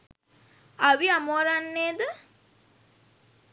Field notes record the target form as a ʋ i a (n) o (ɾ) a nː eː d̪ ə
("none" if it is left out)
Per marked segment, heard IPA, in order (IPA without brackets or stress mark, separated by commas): m, ɾ